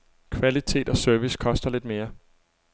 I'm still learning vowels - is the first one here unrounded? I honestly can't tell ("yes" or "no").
yes